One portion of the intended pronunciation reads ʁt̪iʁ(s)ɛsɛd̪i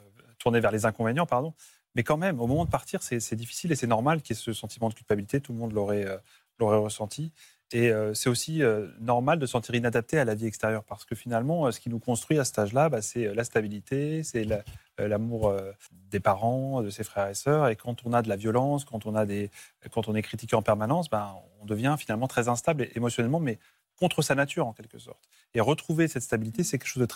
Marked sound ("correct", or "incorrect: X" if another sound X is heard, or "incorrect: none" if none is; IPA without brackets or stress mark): correct